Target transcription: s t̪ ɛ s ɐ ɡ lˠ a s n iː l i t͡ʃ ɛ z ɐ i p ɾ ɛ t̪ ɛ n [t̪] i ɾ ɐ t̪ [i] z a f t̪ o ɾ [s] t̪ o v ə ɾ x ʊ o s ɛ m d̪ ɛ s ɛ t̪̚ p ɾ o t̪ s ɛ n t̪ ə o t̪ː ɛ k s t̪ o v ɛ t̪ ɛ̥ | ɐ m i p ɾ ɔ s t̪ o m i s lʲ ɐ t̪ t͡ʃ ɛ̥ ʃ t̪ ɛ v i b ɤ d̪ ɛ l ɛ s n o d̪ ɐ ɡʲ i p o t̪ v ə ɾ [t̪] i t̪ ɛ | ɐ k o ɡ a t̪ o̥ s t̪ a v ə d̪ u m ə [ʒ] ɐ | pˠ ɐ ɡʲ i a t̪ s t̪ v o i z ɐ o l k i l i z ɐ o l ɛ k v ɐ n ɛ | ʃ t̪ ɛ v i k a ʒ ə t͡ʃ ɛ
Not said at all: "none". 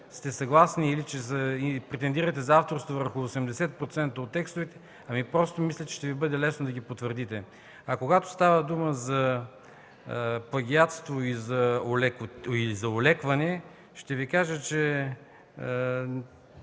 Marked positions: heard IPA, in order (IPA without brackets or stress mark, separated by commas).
d̪, ɛ, s, d̪, z